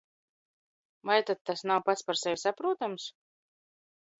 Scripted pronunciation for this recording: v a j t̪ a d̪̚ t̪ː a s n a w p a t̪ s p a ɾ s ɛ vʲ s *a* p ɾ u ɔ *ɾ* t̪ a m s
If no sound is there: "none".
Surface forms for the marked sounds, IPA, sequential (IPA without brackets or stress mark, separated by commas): a, none